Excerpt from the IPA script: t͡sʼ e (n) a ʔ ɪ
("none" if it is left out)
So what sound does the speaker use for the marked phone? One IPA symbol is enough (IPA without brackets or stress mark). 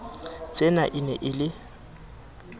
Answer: n